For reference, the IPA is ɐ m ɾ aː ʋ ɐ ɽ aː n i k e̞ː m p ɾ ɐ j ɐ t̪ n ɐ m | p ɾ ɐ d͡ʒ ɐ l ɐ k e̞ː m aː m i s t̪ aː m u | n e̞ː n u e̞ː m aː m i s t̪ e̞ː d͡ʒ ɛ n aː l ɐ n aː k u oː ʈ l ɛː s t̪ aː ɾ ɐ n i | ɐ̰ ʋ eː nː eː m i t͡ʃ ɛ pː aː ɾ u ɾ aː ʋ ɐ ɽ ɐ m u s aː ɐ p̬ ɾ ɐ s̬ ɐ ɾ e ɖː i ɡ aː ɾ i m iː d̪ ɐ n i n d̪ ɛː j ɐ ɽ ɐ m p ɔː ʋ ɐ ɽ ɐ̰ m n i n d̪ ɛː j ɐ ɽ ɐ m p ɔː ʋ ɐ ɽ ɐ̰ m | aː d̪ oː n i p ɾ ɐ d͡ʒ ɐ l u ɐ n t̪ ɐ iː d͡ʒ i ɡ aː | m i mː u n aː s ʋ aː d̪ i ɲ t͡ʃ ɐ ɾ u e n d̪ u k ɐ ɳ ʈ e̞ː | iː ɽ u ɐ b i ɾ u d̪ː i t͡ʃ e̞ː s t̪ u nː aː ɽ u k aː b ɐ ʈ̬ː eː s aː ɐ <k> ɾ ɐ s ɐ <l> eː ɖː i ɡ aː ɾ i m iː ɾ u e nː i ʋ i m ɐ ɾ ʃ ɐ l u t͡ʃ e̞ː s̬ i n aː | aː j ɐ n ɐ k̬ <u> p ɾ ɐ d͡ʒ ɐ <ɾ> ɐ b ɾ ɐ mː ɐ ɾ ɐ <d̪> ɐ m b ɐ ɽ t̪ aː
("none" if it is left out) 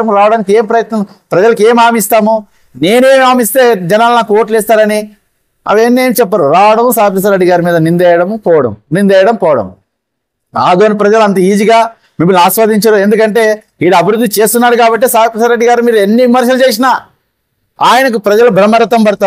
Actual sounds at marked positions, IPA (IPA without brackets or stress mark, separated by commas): p, ɾ, u, l, t̪